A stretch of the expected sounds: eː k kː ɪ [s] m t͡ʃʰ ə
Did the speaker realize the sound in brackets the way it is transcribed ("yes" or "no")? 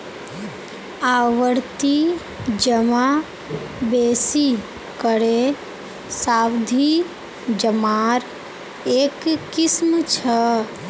yes